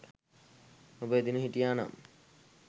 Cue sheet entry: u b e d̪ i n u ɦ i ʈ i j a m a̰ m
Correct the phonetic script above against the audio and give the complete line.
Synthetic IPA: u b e d̪ i n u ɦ i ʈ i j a n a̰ m